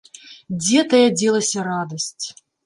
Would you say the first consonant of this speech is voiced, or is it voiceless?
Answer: voiced